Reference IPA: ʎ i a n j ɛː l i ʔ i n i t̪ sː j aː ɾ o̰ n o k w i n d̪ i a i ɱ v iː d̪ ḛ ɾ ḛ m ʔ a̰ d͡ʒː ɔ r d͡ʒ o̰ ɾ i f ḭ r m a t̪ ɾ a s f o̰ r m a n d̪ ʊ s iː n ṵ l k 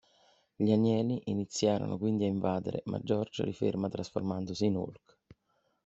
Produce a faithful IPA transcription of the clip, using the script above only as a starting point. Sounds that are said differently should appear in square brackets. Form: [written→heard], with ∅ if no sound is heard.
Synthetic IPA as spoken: ʎ i a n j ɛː l i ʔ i n i t̪ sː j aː ɾ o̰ n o k w i n d̪ i a i ɱ v [iː→aː] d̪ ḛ ɾ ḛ m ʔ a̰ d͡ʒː ɔ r d͡ʒ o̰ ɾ i f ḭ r m a t̪ ɾ a s f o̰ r m a n d̪ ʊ s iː n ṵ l k